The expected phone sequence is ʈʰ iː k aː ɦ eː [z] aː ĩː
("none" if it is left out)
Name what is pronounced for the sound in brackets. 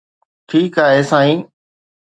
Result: s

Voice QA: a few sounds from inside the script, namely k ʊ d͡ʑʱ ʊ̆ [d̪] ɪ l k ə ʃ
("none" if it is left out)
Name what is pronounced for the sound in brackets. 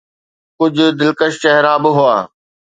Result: d̪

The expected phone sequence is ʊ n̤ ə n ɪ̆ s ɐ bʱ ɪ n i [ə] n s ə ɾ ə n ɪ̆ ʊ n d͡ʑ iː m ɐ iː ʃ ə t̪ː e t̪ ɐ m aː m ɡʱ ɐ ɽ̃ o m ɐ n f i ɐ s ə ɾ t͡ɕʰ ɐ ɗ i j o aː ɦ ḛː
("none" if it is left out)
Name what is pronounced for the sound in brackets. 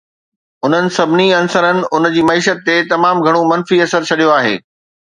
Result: ɐ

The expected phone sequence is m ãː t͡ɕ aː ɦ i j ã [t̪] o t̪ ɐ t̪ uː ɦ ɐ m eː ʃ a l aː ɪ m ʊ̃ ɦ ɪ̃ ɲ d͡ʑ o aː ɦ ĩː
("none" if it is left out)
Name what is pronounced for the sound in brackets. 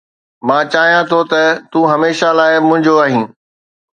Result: t̪ʰ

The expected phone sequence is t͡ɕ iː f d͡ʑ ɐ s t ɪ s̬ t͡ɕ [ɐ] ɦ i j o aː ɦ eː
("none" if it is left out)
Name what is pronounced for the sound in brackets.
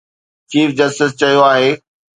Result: ɐ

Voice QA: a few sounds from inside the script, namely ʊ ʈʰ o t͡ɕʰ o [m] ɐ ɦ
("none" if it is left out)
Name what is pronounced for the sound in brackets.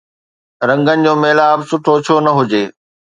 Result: n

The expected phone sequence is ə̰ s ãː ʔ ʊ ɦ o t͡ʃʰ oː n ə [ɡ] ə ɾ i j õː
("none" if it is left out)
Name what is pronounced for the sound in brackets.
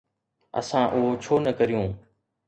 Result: k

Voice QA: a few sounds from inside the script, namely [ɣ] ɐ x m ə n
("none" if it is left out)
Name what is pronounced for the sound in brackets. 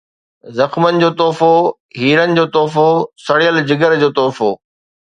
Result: z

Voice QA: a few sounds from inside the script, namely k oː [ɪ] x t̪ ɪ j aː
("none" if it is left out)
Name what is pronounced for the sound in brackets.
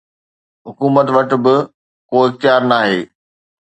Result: ɪ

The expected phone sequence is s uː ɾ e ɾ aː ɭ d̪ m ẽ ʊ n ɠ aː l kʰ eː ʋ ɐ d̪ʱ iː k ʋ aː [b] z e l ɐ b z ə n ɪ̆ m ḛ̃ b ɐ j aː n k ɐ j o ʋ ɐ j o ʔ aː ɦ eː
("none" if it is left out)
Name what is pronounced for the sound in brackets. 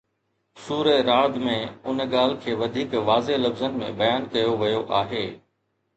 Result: none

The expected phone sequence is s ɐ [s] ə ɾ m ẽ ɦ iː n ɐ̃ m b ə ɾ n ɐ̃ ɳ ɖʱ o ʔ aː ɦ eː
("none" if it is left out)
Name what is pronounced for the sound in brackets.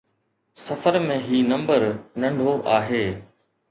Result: f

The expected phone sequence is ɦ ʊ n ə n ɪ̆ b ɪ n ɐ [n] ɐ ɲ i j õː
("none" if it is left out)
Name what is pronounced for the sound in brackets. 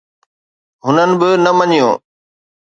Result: m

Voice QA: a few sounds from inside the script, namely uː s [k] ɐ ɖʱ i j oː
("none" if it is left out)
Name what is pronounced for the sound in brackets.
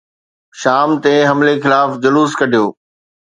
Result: k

